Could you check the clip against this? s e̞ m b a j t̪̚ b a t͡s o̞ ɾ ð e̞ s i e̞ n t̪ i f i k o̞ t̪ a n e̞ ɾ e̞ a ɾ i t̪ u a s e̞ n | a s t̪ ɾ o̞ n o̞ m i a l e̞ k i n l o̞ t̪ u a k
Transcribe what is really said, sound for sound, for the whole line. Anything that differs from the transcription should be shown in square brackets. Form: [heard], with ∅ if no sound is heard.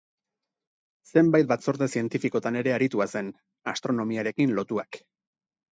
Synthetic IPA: s e̞ m b a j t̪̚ b a t͡s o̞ ɾ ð e̞ s i e̞ n t̪ i f i k o̞ t̪ a n e̞ ɾ e̞ a ɾ i t̪ u a s e̞ n | a s t̪ ɾ o̞ n o̞ m i a [ɾ] e̞ k i n l o̞ t̪ u a k